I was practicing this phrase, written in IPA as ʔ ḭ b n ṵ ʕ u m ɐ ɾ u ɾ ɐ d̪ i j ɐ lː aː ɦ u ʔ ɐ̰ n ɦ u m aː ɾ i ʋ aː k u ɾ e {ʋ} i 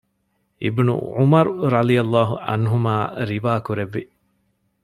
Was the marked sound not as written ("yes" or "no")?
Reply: yes